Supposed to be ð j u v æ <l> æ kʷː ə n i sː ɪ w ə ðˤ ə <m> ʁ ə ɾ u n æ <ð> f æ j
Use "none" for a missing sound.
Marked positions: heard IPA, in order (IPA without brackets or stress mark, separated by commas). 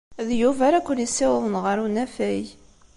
ɾ, n, none